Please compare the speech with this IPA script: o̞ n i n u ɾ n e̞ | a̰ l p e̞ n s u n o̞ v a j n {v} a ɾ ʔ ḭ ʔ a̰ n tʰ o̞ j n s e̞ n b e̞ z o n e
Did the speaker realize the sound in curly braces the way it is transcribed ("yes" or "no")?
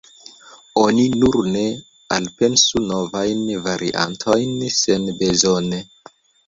yes